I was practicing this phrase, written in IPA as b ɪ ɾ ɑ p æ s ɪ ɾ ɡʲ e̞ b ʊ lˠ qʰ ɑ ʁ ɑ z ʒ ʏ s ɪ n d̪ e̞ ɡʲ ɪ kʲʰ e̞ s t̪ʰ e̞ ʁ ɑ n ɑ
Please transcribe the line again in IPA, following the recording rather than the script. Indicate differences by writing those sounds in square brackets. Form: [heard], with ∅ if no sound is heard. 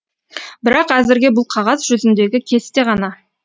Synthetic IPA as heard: b ɪ ɾ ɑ [q] æ [z] ɪ ɾ ɡʲ e̞ b ʊ lˠ qʰ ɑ ʁ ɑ z ʒ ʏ [z] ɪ n d̪ e̞ ɡʲ ɪ kʲʰ e̞ s [t̪] e̞ ʁ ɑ n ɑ